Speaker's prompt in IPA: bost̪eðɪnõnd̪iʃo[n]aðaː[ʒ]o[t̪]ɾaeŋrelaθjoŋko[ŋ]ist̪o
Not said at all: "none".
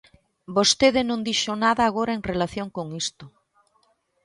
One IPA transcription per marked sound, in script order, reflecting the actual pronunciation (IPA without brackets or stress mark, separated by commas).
n, ɣ, none, ŋ